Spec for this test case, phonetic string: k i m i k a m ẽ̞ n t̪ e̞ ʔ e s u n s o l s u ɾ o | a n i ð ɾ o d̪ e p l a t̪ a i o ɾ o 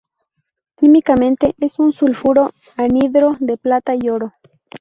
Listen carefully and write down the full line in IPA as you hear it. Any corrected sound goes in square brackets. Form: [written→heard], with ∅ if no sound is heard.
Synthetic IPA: k i m i k a m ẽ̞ n t̪ e̞ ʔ e s u n s [o→u] l [s→f] u ɾ o | a n i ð ɾ o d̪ e p l a t̪ a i o ɾ o

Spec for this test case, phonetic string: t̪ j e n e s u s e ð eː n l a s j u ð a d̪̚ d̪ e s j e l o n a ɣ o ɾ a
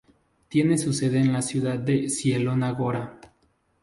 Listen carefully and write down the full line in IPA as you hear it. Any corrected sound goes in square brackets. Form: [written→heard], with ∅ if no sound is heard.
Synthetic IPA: t̪ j e n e s u s e ð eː n l a s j u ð a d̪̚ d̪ e s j e l o n a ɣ o ɾ a

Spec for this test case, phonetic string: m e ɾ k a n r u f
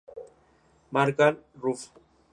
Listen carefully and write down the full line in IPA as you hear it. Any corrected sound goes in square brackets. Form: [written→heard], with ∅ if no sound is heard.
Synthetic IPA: m [e→a] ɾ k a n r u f

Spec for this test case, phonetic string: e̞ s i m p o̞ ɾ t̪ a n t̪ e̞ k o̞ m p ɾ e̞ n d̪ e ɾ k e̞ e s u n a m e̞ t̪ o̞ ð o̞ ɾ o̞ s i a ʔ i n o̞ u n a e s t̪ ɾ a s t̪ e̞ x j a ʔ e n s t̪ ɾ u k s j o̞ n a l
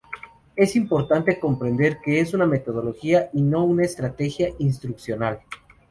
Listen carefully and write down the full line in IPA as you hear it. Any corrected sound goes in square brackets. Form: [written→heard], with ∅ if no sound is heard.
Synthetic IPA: e̞ s i m p o̞ ɾ t̪ a n t̪ e̞ k o̞ m p ɾ e̞ n d̪ e ɾ k e̞ e s u n a m e̞ t̪ o̞ ð o̞ [ɾ→l] o̞ [s→x] i a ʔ i n o̞ u n a e s t̪ ɾ a [s→∅] t̪ e̞ x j a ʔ [e→i] n s t̪ ɾ u k s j o̞ n a l

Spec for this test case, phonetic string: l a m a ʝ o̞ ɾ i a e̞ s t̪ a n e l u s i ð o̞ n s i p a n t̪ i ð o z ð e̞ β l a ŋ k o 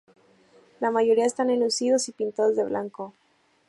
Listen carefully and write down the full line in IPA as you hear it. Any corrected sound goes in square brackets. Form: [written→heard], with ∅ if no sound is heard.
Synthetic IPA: l a m a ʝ o̞ ɾ i a e̞ s t̪ a n e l u s i ð o̞ [n→∅] s i p [a→i] n t̪ [i→a] ð o z ð e̞ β l a ŋ k o

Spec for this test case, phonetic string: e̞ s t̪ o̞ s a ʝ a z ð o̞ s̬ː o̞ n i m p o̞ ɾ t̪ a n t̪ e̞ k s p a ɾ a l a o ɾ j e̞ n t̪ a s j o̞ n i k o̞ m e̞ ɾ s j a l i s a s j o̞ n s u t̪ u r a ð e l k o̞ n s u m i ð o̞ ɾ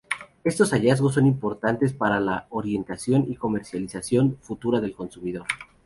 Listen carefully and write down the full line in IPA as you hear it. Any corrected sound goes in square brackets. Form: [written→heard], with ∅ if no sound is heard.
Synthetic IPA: e̞ s t̪ o̞ s a ʝ a z [ð→ɣ] o̞ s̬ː o̞ n i m p o̞ ɾ t̪ a n t̪ e̞ [k→∅] s p a ɾ a l a o ɾ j e̞ n t̪ a s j o̞ n i k o̞ m e̞ ɾ s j a l i s a s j o̞ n [s→f] u t̪ u [r→ɾ] a ð e l k o̞ n s u m i ð o̞ ɾ

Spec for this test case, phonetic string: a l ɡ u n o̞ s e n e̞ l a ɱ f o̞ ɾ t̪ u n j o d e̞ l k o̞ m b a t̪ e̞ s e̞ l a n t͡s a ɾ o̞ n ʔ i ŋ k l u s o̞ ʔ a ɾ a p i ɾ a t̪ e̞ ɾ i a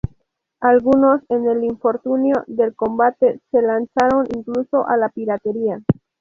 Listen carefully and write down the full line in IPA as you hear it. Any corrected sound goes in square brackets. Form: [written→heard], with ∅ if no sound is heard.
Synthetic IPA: a l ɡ u n o̞ s e n e̞ l [a→i] ɱ f o̞ ɾ t̪ u n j o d e̞ l k o̞ m b a t̪ e̞ s e̞ l a n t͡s a ɾ o̞ n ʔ i ŋ k l u s o̞ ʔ a [ɾ→l] a p i ɾ a t̪ e̞ ɾ i a

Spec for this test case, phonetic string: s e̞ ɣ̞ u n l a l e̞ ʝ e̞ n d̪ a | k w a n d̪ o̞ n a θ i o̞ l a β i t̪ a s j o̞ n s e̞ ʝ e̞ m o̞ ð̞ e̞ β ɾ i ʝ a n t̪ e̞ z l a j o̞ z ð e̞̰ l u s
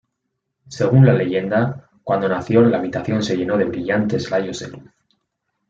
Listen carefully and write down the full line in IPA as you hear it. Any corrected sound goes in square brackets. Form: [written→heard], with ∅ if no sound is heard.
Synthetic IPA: s e̞ ɣ̞ u n l a l e̞ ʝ e̞ n d̪ a | k w a n d̪ o̞ n a θ [i→j] o̞ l a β i t̪ a [s→θ] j o̞ n s e̞ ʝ e̞ [m→n] o̞ ð̞ e̞ β ɾ i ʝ a n t̪ e̞ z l a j o̞ z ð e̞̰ l u [s→θ]

